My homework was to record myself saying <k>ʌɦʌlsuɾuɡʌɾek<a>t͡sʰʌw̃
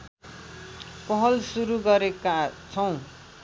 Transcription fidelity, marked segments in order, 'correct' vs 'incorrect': incorrect: p, correct

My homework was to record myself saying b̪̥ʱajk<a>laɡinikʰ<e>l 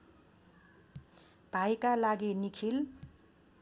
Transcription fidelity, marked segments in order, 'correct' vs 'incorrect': correct, incorrect: i

